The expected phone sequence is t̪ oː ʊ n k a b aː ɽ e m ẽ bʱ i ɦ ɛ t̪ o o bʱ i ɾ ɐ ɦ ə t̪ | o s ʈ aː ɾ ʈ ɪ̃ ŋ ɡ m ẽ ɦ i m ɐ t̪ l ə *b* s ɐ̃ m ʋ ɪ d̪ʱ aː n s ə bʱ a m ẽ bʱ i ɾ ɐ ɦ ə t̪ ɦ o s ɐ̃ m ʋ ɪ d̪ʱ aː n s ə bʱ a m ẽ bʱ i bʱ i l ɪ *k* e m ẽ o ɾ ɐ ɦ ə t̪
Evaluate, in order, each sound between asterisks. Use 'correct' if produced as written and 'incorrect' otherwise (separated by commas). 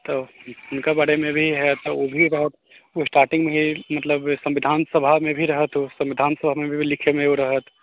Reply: correct, incorrect